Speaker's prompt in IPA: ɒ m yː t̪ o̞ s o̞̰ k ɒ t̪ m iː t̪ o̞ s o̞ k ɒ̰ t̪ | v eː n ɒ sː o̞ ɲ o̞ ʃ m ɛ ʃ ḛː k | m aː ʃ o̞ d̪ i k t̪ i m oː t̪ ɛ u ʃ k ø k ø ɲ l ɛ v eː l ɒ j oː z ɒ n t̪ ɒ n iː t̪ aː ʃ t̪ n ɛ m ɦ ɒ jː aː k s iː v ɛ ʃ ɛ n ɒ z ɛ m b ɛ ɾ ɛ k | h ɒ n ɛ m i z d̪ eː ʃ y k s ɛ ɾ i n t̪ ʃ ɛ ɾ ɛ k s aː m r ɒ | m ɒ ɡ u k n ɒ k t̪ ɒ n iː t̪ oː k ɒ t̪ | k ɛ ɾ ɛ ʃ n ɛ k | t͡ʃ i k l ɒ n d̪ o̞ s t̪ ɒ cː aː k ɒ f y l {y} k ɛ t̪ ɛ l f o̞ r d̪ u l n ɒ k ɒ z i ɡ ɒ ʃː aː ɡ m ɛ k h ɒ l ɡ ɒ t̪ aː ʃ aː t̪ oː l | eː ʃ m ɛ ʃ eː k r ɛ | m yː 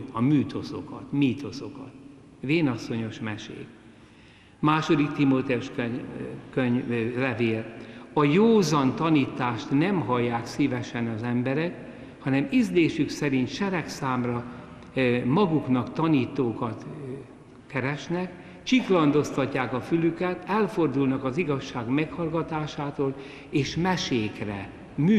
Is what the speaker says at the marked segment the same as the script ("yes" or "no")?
yes